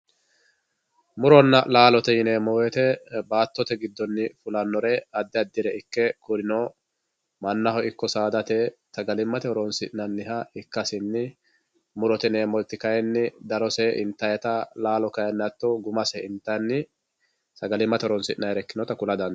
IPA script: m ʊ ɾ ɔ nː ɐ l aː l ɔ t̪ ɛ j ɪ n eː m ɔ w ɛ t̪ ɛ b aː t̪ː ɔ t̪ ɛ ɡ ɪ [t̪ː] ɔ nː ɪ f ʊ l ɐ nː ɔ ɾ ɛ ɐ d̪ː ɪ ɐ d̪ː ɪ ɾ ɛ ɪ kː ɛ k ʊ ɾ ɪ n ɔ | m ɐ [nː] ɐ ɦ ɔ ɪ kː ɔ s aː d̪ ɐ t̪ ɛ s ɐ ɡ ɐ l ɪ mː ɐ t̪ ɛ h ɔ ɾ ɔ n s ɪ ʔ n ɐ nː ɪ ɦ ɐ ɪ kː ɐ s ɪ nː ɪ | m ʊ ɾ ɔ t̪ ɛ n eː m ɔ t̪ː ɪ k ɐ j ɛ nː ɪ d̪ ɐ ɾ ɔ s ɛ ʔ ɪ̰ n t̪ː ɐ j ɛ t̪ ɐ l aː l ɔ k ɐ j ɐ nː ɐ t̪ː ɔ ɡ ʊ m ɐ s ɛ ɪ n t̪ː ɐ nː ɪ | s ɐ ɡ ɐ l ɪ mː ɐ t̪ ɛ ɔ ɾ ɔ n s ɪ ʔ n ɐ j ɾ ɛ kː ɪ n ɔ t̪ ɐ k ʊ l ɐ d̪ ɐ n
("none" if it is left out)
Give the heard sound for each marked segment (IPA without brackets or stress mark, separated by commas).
d̪ː, nː